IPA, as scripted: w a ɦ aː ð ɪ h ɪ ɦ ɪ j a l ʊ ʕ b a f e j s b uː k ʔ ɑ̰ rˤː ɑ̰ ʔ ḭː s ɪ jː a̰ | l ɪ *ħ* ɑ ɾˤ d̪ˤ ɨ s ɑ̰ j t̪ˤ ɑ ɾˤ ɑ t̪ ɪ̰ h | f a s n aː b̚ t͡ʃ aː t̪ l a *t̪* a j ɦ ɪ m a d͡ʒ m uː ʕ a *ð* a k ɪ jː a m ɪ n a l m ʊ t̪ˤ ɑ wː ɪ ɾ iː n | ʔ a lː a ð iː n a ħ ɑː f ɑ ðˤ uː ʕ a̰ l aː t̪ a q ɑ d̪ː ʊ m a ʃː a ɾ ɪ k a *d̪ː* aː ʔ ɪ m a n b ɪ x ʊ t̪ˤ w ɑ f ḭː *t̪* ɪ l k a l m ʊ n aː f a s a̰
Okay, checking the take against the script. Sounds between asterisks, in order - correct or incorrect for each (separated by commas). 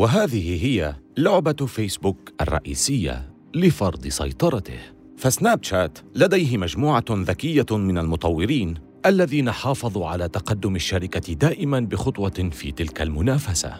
incorrect, incorrect, correct, incorrect, correct